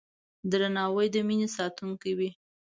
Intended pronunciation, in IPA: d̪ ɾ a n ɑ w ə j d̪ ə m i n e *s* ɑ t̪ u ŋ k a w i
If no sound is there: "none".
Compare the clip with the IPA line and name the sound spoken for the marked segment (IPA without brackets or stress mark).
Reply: s